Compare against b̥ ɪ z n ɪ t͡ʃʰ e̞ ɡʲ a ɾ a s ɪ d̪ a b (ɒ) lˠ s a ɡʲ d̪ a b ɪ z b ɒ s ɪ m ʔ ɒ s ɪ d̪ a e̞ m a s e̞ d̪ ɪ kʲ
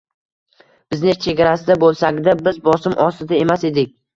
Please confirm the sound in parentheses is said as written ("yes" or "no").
no